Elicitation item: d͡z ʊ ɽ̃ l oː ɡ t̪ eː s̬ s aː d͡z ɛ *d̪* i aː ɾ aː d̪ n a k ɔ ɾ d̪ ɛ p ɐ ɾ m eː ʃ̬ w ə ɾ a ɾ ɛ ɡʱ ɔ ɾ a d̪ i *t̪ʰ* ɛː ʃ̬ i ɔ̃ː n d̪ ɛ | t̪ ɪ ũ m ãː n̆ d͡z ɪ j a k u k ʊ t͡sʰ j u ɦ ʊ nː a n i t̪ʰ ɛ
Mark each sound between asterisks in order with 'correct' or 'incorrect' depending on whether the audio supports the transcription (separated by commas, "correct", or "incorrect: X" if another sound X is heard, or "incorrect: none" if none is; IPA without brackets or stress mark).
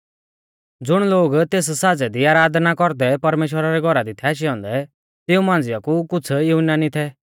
correct, correct